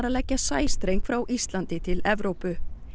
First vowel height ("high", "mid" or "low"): low